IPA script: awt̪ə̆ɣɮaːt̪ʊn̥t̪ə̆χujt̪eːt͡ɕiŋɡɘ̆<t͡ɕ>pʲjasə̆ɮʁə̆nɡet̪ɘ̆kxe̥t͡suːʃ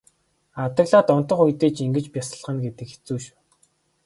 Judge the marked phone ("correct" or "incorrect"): correct